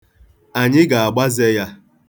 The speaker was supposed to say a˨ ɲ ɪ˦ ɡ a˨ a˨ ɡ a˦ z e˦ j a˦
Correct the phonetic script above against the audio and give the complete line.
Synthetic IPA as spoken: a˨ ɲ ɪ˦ ɡ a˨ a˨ ɡ͡b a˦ z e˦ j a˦